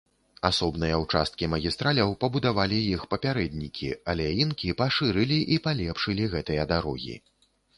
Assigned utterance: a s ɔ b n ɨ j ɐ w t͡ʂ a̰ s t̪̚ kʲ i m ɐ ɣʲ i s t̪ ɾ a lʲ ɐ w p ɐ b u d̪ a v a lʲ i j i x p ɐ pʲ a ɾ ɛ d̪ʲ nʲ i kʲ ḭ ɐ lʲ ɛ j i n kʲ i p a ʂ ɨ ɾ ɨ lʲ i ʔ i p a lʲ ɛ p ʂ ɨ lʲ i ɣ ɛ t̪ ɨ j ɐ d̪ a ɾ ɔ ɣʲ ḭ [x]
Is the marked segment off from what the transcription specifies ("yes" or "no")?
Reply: yes